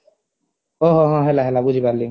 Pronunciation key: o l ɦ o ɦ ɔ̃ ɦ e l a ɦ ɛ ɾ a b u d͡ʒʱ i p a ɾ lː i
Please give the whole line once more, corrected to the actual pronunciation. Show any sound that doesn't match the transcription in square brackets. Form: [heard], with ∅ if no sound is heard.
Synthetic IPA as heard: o [∅] ɦ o ɦ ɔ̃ ɦ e l a ɦ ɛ [l] a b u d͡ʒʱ i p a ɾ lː i

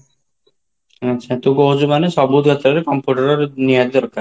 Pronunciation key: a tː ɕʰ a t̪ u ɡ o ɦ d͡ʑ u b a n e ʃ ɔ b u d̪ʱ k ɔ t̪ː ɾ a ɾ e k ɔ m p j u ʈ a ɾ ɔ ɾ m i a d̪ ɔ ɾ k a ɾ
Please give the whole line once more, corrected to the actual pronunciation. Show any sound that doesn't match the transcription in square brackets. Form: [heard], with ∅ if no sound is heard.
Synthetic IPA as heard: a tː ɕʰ a t̪ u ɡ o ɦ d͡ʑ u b a n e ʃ ɔ b u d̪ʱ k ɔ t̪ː ɾ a ɾ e k ɔ m p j u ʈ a ɾ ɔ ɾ [n] i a d̪ ɔ ɾ k a ɾ

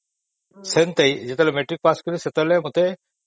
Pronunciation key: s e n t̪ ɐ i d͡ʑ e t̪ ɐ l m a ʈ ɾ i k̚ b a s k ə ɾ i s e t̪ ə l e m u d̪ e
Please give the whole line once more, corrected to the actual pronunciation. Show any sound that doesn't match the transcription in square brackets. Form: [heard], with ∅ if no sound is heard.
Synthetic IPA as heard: s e n t̪ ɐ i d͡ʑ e t̪ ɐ l m [e] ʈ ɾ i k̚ [p] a s k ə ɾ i s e t̪ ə l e m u [t̪] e

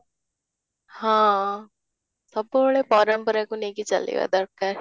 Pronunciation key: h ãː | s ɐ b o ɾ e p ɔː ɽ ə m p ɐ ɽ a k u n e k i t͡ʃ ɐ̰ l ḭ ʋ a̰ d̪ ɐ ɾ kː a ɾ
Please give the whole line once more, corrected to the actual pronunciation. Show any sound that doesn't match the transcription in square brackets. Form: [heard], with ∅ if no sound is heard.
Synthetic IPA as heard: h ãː | s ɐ b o [ɭ] e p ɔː [ɾ] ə m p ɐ [ɾ] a k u n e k i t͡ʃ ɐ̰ l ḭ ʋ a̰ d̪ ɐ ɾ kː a ɾ

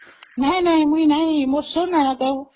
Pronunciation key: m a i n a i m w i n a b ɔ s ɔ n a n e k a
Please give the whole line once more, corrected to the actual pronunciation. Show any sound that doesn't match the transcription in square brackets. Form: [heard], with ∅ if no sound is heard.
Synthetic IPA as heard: [n] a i n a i m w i n a [m] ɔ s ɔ n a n [a] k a

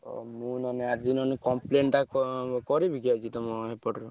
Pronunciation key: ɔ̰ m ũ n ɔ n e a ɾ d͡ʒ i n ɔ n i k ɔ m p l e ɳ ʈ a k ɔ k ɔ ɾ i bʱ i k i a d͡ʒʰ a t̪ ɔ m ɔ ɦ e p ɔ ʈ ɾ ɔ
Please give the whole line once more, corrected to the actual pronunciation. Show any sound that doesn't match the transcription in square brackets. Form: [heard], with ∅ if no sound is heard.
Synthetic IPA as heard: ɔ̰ m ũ n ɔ n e a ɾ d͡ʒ i n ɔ n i k ɔ m p l e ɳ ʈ a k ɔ k ɔ ɾ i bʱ i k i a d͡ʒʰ [i] t̪ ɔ m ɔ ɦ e p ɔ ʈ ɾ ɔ

